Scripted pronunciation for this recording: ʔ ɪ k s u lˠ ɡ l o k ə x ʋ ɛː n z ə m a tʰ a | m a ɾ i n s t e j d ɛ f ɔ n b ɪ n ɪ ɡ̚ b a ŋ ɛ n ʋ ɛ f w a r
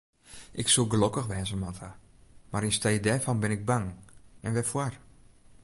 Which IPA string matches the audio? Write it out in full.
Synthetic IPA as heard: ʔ ɪ k s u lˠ ɡ l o k ə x ʋ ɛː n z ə m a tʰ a | m a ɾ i n s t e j d ɛ f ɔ n b ɪ n ɪ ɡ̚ b a ŋ ɛ n ʋ ɛ f w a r